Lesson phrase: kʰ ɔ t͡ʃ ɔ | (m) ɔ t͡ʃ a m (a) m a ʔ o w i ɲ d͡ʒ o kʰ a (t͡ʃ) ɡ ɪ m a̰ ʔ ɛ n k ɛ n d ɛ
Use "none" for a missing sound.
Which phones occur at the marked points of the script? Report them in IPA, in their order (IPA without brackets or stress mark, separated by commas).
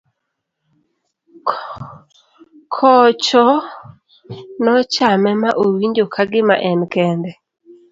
n, ɛ, none